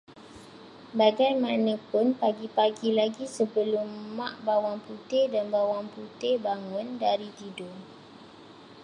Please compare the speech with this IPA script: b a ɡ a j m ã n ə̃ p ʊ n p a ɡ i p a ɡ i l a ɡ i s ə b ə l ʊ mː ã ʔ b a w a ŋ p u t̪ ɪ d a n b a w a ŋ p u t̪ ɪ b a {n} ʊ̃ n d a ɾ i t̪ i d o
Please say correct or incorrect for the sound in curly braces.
incorrect